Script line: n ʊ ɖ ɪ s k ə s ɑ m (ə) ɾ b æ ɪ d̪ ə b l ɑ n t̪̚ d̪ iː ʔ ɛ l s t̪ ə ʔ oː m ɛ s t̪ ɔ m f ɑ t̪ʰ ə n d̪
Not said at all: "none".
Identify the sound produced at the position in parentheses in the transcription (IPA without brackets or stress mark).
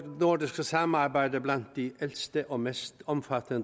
ɑ